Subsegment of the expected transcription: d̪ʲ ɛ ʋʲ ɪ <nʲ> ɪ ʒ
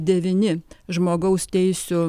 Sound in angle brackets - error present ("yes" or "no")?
no